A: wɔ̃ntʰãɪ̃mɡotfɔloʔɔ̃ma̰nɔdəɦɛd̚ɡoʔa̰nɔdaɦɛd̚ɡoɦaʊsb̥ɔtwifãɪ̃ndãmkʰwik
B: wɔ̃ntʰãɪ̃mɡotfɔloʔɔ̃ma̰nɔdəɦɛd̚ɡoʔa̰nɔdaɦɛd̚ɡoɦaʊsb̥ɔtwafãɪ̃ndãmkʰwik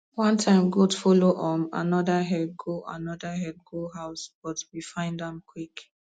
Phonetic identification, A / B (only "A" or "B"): A